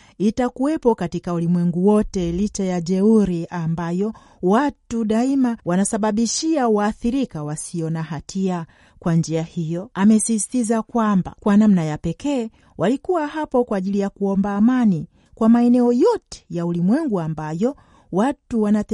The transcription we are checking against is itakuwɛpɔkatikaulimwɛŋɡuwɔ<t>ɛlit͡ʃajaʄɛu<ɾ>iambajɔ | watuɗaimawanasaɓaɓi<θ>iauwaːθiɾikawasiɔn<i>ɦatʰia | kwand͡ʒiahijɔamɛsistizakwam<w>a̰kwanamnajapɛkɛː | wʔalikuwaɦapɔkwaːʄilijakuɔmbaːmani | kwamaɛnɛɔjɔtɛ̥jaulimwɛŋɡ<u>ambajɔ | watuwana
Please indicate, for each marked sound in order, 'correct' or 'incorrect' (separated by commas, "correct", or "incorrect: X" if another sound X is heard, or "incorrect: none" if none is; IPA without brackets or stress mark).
correct, correct, incorrect: ʃ, incorrect: a, incorrect: b, correct